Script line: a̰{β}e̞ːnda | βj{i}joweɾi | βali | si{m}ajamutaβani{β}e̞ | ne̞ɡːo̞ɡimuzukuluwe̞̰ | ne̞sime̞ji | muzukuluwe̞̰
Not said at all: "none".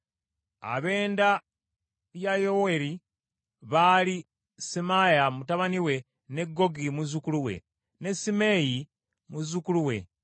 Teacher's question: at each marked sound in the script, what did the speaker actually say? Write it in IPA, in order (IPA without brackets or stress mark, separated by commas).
β, a, m, w